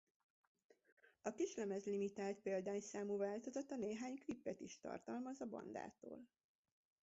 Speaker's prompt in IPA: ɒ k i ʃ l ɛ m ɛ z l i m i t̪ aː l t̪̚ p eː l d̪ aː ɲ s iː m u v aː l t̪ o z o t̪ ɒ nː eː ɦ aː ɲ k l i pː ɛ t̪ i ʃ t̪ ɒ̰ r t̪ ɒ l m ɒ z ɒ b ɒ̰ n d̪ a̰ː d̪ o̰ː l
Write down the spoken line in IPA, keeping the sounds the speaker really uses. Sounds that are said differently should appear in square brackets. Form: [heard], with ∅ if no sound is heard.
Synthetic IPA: ɒ k i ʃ l ɛ m ɛ z l i m i t̪ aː l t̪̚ p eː l d̪ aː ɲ s [aː] m u v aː l t̪ o z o t̪ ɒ [n] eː ɦ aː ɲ k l i pː ɛ t̪ i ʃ t̪ ɒ̰ r t̪ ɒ l m ɒ z ɒ b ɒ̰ n d̪ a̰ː [t̪] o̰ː l